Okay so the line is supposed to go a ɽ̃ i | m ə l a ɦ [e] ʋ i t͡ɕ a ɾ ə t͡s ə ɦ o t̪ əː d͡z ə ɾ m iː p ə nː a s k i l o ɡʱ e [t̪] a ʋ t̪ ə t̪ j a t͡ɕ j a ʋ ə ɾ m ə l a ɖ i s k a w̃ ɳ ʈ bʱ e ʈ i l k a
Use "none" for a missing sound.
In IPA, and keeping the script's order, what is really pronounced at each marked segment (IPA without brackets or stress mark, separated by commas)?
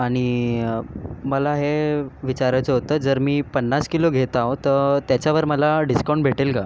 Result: e, t̪